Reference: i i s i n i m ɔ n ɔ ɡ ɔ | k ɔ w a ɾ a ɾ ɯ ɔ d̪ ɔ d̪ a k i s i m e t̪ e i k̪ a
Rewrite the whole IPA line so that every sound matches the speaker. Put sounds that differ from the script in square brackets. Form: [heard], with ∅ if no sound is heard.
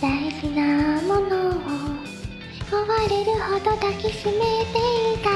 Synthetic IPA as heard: [a] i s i n [a] m ɔ n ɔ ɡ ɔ | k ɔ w a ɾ [e] ɾ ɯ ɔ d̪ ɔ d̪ a k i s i m e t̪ e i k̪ a